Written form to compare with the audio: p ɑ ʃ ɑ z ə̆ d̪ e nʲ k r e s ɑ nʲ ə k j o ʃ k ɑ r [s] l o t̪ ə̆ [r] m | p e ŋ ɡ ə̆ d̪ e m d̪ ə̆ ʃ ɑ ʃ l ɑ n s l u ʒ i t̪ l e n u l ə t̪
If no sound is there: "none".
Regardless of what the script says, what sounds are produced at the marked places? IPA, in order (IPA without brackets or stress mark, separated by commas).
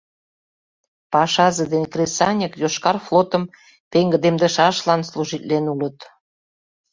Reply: f, none